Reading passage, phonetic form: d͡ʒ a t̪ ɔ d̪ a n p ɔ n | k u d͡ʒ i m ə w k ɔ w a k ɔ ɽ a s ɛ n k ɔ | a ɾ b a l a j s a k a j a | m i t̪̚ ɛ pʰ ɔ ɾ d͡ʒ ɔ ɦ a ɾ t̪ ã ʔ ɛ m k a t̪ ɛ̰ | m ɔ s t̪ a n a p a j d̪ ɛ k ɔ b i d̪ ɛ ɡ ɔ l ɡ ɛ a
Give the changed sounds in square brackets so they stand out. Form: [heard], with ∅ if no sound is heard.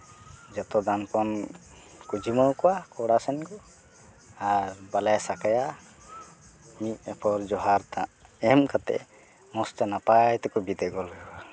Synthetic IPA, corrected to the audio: d͡ʒ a t̪ ɔ d̪ a n p ɔ n | k u d͡ʒ i m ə w k ɔ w a k ɔ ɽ a s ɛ n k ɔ | a ɾ b a l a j s a k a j a | m i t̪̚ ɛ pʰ ɔ ɾ d͡ʒ ɔ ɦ a ɾ t̪ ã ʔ ɛ m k a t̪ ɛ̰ | m ɔ s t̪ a n a p a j [t̪] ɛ k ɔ b i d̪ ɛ ɡ ɔ l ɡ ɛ a